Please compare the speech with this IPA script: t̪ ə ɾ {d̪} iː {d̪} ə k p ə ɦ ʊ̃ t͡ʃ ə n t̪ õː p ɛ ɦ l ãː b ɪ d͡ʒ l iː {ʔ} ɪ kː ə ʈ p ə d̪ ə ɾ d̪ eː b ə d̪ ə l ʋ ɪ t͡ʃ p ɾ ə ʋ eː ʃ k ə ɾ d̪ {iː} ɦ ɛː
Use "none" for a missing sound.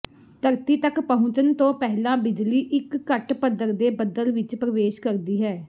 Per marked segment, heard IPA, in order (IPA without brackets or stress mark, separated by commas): t̪, t̪, ʔ, iː